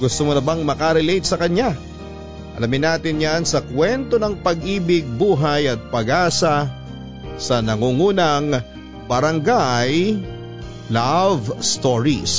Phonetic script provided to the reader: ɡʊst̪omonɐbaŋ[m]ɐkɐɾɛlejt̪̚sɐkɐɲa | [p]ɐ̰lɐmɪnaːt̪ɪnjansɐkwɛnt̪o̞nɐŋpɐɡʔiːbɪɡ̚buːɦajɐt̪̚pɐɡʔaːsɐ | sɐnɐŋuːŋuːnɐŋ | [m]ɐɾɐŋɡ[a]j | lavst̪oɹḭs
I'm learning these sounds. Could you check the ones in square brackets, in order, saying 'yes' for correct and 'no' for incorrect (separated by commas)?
yes, no, no, yes